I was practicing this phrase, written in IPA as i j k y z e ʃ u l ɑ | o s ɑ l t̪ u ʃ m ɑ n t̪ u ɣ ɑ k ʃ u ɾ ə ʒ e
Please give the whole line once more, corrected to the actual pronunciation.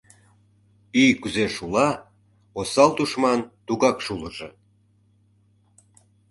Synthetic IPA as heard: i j k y z e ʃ u l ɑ | o s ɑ l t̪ u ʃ m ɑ n t̪ u ɣ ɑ k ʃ u l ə ʒ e